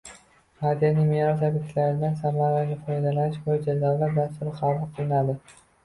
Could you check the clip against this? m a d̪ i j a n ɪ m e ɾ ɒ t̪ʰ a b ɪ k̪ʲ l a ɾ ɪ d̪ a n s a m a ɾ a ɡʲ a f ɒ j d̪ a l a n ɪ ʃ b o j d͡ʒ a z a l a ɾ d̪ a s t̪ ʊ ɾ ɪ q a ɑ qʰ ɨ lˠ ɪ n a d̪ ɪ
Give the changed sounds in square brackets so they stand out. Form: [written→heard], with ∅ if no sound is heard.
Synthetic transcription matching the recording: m a d̪ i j a n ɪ m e ɾ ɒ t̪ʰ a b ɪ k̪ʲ l a ɾ ɪ d̪ a n s a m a ɾ a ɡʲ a f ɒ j d̪ a l a n ɪ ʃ b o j d͡ʒ a z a l a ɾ d̪ a s t̪ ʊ ɾ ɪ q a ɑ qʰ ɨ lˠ ɪ n a d̪ ɪ